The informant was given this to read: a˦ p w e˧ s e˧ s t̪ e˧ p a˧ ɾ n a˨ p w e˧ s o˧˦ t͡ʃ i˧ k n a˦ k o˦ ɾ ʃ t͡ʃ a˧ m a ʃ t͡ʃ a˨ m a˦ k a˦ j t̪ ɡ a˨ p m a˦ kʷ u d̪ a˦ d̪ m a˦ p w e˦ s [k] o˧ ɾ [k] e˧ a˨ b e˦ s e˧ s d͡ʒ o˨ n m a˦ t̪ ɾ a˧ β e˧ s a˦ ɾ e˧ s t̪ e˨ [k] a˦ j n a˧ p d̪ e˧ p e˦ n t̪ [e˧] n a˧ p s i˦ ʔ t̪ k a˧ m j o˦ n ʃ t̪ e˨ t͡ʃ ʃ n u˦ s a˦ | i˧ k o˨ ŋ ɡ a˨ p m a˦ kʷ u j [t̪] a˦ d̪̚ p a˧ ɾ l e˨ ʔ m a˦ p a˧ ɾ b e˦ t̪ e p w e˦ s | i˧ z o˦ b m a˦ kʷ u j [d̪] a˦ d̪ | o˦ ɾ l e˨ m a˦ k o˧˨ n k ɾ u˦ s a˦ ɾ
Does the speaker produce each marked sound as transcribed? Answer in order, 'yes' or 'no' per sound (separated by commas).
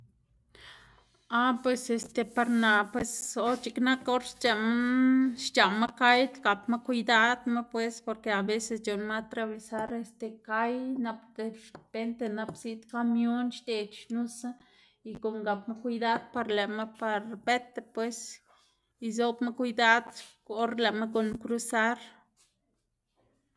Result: no, yes, yes, yes, no, yes